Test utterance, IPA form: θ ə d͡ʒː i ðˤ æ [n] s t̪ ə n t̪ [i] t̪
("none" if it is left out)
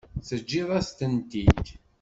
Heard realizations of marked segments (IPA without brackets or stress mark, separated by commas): none, i